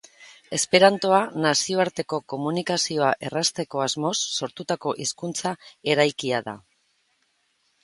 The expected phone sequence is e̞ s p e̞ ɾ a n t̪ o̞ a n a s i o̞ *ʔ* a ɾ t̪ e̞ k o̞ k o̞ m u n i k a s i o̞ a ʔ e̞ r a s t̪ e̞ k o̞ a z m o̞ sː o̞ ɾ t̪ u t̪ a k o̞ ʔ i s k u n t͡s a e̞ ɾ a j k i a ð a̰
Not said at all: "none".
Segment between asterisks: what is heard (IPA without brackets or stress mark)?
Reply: none